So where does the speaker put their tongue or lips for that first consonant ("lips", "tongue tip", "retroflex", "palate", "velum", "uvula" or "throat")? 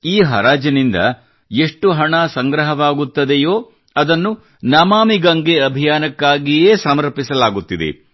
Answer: throat